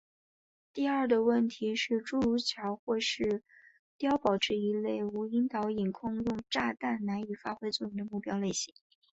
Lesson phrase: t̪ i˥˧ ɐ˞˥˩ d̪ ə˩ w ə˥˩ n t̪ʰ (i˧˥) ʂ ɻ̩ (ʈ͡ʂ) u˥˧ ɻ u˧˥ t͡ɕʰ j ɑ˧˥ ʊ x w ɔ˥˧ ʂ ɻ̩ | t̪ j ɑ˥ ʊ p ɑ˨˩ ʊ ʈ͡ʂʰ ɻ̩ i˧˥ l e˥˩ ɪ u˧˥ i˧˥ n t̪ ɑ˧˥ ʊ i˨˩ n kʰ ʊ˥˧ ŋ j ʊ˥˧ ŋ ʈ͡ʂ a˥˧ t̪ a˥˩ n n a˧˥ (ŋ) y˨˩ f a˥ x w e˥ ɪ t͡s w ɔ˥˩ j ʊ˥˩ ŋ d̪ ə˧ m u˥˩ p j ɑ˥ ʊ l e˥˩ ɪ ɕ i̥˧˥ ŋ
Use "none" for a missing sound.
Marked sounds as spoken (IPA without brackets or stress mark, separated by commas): i˧˥, ʈ͡ʂ, n